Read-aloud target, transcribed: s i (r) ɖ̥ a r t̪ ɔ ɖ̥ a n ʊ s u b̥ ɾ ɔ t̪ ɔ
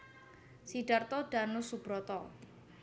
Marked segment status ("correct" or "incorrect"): incorrect